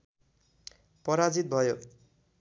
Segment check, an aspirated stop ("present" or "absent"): absent